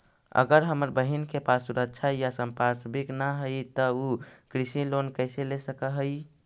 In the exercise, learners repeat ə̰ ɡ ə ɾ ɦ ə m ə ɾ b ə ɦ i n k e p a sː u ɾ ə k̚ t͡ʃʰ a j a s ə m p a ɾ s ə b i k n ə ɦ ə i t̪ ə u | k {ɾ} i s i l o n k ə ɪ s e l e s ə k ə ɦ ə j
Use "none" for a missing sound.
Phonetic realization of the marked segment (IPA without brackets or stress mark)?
ɾ